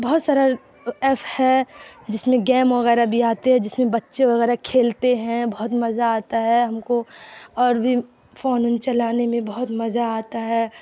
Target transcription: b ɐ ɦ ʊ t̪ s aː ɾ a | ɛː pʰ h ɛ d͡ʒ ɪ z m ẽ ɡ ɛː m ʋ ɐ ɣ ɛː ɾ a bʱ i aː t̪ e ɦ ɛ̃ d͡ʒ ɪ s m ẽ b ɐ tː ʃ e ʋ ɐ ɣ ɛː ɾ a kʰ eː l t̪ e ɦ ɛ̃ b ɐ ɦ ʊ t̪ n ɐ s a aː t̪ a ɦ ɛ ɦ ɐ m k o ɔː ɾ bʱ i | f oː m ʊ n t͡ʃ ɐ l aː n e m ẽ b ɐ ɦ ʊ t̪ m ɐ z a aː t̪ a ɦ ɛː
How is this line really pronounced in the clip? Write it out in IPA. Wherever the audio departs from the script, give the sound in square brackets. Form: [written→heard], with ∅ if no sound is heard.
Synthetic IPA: b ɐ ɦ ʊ t̪ s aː ɾ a | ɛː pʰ h ɛ d͡ʒ ɪ [z→s] m ẽ ɡ ɛː m ʋ ɐ ɣ ɛː ɾ a bʱ i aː t̪ e ɦ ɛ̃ d͡ʒ ɪ s m ẽ b ɐ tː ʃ e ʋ ɐ ɣ ɛː ɾ a kʰ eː l t̪ e ɦ ɛ̃ b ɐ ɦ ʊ t̪ [n→m] ɐ [s→z] a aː t̪ a ɦ ɛ ɦ ɐ m k o ɔː ɾ bʱ i | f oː [m→n] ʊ n t͡ʃ ɐ l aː n e m ẽ b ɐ ɦ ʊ t̪ m ɐ z a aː t̪ a ɦ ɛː